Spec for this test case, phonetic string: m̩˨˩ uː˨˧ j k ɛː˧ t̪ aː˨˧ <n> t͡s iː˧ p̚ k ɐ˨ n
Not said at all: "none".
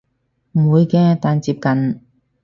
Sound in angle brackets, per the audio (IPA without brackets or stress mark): n